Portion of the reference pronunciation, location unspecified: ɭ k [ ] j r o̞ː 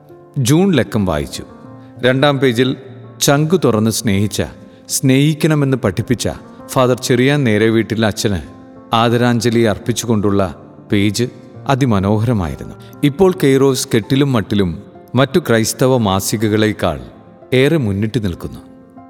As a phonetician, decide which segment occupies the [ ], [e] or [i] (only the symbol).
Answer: e